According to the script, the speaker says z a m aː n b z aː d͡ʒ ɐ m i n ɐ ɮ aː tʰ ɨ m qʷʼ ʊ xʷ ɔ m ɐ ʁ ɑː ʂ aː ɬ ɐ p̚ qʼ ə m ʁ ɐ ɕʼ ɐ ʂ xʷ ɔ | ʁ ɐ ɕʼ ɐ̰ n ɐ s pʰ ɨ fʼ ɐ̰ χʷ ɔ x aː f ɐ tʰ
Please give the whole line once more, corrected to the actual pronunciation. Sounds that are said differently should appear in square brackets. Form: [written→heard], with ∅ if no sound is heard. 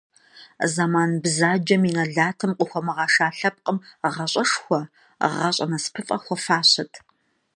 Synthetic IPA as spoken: z a m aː n b z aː d͡ʒ ɐ m i n ɐ ɮ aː tʰ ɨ m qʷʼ ʊ xʷ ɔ m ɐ ʁ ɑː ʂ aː ɬ ɐ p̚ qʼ ə m ʁ ɐ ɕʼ ɐ ʂ xʷ ɔ | ʁ ɐ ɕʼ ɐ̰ n ɐ s pʰ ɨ fʼ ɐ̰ [χʷ→xʷ] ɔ [x→f] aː [f→ɕ] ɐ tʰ